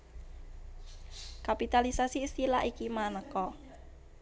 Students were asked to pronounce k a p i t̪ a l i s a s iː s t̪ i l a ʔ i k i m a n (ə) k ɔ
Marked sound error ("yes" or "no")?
no